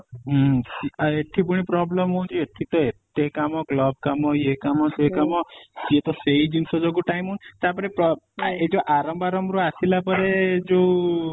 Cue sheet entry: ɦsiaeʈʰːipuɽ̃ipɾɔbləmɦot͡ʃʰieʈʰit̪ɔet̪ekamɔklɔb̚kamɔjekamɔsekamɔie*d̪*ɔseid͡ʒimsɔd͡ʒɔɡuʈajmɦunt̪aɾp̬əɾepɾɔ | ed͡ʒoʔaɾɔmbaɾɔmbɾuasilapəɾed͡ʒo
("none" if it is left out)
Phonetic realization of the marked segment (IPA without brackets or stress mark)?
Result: t̪